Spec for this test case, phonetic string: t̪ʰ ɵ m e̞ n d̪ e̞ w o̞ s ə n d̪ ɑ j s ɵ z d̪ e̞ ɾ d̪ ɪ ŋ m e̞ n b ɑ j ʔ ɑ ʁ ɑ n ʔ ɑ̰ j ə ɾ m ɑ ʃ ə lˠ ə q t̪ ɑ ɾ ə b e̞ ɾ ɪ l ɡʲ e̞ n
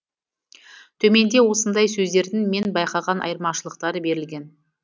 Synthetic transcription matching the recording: t̪ʰ ɵ m e̞ n d̪ e̞ w o̞ s ə n d̪ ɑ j s ɵ z d̪ e̞ ɾ d̪ ɪ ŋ m e̞ n b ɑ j q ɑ ʁ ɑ n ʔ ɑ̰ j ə ɾ m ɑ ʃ ə lˠ ə q t̪ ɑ ɾ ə b e̞ ɾ ɪ l ɡʲ e̞ n